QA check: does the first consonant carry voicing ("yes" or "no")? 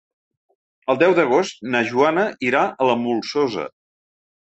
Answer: yes